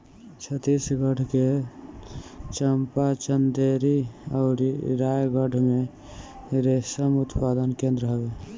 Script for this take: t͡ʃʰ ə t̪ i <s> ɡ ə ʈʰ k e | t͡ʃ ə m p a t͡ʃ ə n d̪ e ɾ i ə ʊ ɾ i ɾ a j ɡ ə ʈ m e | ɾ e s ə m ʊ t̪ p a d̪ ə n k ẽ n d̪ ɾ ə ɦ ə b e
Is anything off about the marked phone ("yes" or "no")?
no